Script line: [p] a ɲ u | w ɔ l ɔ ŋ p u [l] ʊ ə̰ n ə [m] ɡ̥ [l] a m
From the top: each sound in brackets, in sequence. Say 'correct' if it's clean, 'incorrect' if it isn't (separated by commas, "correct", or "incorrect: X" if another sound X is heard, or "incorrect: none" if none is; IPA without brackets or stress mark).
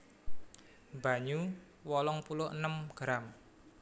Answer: incorrect: b, correct, correct, incorrect: ɾ